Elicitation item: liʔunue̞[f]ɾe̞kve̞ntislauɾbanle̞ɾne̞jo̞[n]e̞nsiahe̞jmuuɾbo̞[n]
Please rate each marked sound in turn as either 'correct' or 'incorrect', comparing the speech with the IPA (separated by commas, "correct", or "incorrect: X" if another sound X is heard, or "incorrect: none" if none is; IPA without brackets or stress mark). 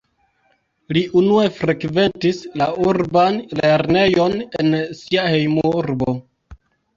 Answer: correct, correct, incorrect: none